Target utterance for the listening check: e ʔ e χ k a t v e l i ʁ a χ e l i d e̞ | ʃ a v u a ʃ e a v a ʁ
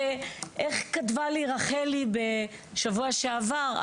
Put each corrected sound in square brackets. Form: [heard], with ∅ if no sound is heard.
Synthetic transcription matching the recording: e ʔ e χ k a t v [a] l i ʁ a χ e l i [b] e̞ | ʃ a v u a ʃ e a v a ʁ